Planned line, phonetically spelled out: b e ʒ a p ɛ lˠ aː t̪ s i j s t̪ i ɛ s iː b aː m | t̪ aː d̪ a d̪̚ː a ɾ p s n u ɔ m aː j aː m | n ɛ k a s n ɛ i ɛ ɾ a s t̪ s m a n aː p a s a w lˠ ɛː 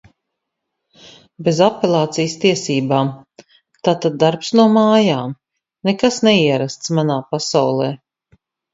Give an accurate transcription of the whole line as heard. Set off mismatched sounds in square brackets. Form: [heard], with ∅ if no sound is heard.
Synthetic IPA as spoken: b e [z] a p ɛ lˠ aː t̪ s i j s t̪ i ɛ s iː b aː m | t̪ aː [t̪] a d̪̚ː a ɾ p s n u ɔ m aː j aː m | n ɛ k a s n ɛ i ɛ ɾ a s t̪ s m a n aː p a s a w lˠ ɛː